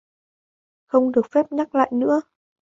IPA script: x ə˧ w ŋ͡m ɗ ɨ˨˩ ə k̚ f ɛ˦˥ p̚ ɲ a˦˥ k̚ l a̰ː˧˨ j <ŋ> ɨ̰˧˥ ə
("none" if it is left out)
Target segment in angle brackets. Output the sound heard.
n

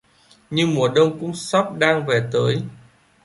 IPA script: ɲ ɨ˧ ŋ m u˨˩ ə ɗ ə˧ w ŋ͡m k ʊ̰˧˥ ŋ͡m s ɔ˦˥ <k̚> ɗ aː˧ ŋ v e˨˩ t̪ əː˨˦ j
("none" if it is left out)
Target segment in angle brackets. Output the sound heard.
p̚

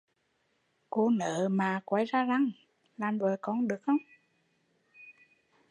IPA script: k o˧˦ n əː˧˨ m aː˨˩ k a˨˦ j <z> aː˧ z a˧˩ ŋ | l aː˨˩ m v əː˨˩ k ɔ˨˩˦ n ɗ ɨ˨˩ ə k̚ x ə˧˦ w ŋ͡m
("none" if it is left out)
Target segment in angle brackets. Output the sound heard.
z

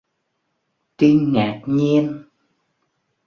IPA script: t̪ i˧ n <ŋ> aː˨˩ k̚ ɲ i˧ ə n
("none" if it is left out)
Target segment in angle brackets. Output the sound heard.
ŋ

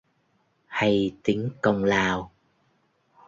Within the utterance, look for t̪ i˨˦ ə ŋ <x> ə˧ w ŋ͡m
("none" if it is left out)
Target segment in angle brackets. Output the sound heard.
k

